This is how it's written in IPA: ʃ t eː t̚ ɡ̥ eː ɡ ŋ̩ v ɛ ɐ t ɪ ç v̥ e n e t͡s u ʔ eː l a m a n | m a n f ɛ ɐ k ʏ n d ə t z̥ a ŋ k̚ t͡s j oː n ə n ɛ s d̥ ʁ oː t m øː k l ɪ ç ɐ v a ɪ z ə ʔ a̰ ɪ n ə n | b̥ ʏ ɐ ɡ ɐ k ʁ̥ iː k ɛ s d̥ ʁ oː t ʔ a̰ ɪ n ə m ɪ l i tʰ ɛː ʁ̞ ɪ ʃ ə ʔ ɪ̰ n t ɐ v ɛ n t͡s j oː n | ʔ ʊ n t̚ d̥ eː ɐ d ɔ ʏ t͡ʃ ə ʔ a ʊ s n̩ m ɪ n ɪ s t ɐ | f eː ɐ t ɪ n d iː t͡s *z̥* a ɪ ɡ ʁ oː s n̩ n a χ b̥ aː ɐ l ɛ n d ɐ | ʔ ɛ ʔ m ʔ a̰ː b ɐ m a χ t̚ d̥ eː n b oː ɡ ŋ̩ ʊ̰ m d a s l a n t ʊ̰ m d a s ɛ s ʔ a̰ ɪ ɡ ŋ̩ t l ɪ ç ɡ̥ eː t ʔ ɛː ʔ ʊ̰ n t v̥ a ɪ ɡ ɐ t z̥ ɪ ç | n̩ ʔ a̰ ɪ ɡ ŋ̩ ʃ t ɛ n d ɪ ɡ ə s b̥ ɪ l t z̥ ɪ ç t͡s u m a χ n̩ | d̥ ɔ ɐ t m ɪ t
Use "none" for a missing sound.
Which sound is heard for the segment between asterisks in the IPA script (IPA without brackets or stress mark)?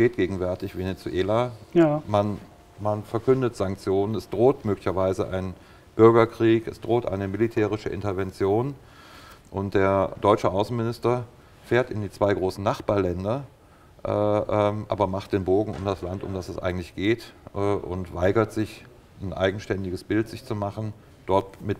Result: v̥